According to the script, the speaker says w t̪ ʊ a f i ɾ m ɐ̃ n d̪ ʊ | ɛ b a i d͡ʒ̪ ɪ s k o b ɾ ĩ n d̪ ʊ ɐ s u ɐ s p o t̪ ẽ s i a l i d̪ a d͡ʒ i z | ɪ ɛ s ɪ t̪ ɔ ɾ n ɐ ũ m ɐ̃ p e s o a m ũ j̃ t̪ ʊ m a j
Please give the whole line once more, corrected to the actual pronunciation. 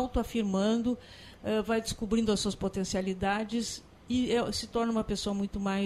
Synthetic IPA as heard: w t̪ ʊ a f i ɾ m ɐ̃ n d̪ ʊ | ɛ v a j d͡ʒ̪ ɪ s k u b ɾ ĩ n d̪ ʊ ɐ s u ɐ s p o t̪ ẽ s i a l i d̪ a d͡ʒ ɪ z | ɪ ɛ s ɪ t̪ ɔ ɾ n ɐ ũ m ɐ p e s o ɐ m ũ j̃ t̪ ʊ m a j